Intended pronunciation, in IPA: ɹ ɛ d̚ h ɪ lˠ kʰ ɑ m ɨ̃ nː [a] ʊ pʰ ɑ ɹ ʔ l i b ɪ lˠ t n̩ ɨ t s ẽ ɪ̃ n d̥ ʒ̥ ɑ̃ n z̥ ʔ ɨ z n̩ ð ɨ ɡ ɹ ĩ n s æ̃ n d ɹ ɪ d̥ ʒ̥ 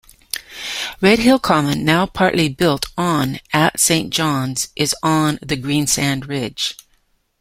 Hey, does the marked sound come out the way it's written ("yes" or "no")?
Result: yes